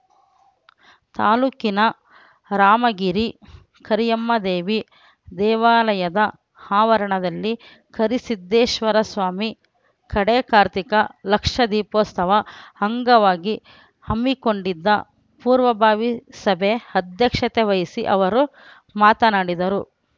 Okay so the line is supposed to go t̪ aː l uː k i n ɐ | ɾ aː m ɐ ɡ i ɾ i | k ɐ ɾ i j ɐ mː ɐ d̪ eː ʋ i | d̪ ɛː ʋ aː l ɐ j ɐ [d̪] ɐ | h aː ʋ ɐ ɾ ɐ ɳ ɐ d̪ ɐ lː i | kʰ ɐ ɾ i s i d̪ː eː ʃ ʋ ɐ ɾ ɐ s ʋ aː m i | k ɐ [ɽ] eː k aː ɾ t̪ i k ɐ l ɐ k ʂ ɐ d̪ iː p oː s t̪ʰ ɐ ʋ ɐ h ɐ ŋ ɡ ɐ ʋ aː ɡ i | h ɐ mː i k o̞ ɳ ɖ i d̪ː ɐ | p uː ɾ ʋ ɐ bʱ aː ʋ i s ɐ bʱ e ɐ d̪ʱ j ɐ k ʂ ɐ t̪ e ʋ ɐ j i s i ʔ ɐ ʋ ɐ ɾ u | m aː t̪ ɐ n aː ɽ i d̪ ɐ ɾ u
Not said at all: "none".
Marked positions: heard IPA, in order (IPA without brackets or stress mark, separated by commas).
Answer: d̪, ɽ